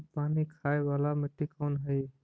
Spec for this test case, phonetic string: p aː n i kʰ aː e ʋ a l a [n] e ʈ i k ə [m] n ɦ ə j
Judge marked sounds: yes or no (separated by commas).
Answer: no, no